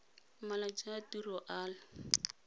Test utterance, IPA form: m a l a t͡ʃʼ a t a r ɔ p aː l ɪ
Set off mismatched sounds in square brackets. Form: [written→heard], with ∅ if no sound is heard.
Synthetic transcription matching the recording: m a l a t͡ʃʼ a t [a→i] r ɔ [p→ʔ] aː l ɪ